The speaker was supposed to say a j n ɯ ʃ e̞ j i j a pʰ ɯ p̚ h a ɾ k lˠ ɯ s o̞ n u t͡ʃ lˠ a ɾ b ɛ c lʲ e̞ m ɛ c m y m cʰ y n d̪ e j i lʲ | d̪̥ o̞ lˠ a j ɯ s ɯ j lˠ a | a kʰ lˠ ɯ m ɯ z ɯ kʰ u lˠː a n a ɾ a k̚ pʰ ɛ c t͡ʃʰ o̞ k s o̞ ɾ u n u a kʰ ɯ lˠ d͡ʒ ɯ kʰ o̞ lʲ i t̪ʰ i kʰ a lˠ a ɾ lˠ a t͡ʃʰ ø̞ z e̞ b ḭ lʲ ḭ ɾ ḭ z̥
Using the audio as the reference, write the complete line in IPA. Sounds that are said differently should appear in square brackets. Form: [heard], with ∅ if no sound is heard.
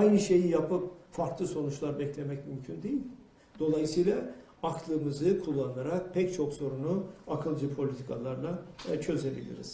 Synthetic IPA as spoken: a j n ɯ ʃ e̞ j i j a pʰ ɯ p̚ [f] a ɾ k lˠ ɯ s o̞ n u t͡ʃ lˠ a ɾ b ɛ c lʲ e̞ m ɛ c m y m cʰ y n d̪ e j i lʲ | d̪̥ o̞ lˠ a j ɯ s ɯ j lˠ a | a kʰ lˠ ɯ m ɯ z ɯ kʰ u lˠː a n a ɾ a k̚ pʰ ɛ c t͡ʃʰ o̞ k s o̞ ɾ u n u a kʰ ɯ lˠ d͡ʒ ɯ [pʰ] o̞ lʲ i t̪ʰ i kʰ a lˠ a ɾ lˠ a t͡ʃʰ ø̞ z e̞ b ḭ lʲ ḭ ɾ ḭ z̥

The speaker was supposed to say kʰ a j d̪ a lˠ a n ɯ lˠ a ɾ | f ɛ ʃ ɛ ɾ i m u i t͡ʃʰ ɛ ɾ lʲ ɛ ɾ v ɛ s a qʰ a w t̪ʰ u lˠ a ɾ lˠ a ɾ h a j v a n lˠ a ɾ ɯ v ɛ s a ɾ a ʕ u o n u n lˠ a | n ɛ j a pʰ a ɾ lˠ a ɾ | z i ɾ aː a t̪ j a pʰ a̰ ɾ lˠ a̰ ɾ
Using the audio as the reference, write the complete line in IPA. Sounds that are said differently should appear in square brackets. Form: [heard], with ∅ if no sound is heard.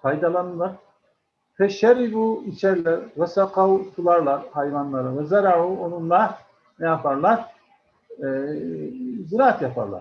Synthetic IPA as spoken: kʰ a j d̪ a lˠ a n ɯ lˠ a ɾ | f ɛ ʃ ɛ ɾ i [b] u i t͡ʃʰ ɛ ɾ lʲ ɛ ɾ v ɛ s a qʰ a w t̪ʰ u lˠ a ɾ lˠ a ɾ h a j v a n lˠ a ɾ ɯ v ɛ [z] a ɾ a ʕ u o n u n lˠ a | n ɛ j a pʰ a ɾ lˠ a ɾ | z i ɾ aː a t̪ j a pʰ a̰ ɾ lˠ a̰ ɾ

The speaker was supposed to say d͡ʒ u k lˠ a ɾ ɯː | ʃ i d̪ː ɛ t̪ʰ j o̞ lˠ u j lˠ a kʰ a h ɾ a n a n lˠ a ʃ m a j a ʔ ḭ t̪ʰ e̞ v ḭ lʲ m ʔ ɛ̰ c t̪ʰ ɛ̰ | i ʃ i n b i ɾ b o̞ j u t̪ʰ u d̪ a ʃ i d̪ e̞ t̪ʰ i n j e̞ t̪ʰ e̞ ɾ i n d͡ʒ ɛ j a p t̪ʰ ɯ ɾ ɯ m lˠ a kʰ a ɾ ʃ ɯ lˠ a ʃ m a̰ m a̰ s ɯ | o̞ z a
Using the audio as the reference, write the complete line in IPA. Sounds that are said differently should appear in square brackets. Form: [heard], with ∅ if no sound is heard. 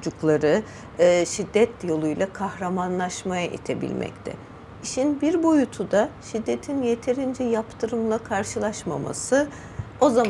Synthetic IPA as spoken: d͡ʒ u k lˠ a ɾ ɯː | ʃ i d̪ː ɛ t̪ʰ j o̞ lˠ u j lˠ a kʰ a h ɾ a [m] a n lˠ a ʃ m a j a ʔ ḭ t̪ʰ e̞ [b] ḭ lʲ m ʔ ɛ̰ c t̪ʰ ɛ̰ | i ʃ i n b i ɾ b o̞ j u t̪ʰ u d̪ a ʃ i [d̪ː] e̞ t̪ʰ i n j e̞ t̪ʰ e̞ ɾ i n d͡ʒ ɛ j a p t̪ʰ ɯ ɾ ɯ m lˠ a kʰ a ɾ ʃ ɯ lˠ a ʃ m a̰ m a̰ s ɯ | o̞ z a

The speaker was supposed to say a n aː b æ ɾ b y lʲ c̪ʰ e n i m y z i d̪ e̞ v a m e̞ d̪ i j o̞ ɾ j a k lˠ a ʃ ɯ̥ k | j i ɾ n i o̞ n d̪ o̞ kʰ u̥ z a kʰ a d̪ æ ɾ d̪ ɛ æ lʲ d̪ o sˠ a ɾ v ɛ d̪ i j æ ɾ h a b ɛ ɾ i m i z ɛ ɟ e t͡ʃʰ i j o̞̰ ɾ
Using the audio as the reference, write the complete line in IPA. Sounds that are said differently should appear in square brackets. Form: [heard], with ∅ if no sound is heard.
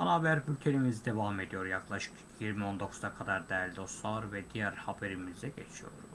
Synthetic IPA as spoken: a n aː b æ ɾ b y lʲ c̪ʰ e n i m [i] z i d̪ e̞ v a m e̞ d̪ i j o̞ ɾ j a k lˠ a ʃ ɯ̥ k | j i ɾ [m] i o̞ n d̪ o̞ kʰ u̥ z a kʰ a d̪ [a] ɾ d̪ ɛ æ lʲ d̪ o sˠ a ɾ v ɛ d̪ i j æ ɾ h a b [e] ɾ i m i z ɛ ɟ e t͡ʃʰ i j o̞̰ ɾ

